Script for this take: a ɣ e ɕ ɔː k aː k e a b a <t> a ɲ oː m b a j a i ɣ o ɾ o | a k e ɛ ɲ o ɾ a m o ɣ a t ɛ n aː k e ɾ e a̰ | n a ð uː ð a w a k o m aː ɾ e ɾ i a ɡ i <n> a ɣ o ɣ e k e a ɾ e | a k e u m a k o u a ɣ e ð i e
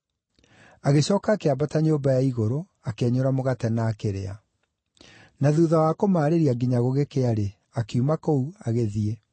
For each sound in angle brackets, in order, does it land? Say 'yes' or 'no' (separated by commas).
yes, no